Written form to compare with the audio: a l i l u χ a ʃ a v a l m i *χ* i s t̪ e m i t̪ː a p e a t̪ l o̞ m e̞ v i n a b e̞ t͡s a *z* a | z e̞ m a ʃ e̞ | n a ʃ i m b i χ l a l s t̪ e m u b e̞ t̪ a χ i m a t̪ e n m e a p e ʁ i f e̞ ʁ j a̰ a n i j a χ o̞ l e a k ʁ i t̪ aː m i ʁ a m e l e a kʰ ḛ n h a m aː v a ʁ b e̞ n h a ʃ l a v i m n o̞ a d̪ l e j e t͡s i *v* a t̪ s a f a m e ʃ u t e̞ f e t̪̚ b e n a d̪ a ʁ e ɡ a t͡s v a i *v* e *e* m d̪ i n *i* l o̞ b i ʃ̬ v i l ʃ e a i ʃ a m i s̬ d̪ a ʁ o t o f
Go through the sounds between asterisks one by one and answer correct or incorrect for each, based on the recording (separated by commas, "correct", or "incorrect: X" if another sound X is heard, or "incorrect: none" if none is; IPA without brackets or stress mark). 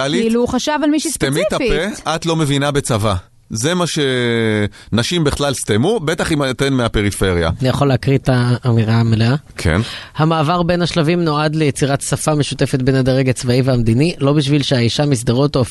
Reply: incorrect: ʃ, incorrect: v, incorrect: ʁ, correct, incorrect: a, correct